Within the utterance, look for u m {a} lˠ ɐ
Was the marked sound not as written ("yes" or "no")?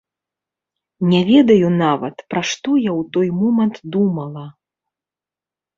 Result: yes